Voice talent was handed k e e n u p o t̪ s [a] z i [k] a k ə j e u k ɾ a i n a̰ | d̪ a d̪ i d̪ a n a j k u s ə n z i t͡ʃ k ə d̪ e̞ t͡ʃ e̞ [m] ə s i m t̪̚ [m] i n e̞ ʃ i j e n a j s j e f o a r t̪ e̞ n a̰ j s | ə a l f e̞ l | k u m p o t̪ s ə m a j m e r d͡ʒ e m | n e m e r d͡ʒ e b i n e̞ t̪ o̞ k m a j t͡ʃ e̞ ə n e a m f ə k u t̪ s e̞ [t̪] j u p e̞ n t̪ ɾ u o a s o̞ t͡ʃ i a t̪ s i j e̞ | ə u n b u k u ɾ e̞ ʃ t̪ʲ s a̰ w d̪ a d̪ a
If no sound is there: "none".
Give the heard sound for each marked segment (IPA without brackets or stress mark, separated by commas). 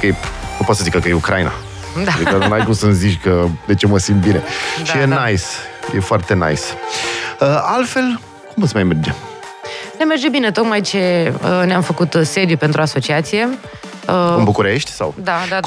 ə, k, m, b, d̪